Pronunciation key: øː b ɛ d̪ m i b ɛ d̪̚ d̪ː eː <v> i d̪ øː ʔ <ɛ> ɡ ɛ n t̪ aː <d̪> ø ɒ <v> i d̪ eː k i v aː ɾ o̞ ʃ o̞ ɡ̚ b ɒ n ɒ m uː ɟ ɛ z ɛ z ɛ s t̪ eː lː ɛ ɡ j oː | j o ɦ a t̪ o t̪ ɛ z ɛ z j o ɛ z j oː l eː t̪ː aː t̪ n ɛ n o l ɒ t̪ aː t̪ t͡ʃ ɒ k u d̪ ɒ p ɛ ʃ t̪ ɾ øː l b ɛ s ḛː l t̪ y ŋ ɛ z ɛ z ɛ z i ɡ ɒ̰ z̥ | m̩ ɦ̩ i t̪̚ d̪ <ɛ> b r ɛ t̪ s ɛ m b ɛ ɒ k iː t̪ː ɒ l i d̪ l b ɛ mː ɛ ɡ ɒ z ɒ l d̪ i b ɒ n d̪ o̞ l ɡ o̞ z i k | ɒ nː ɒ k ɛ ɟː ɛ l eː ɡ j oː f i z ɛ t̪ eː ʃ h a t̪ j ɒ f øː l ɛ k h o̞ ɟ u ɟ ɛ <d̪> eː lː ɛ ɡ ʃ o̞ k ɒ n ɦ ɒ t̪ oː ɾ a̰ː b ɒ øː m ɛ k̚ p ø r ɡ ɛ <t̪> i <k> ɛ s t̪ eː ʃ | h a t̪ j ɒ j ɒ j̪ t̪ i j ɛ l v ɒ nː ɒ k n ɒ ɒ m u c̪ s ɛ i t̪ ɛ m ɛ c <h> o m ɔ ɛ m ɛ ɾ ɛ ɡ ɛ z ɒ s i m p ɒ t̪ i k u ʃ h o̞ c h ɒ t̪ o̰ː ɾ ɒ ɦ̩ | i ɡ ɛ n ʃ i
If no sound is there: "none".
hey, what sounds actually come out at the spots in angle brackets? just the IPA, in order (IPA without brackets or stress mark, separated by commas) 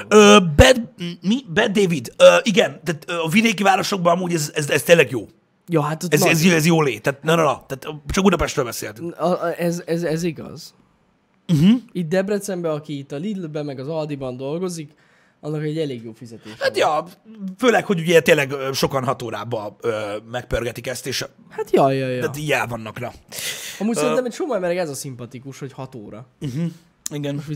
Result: v, i, t̪, v, ɛ, t̪, t̪, k, ʃ